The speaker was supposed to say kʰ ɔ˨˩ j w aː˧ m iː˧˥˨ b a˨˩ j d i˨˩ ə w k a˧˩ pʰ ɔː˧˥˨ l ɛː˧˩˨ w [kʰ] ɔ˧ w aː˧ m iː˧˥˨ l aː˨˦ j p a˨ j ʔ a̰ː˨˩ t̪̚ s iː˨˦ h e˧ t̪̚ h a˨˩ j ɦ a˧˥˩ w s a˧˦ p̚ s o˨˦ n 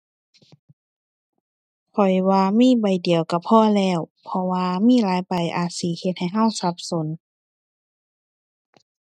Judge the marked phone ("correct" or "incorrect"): incorrect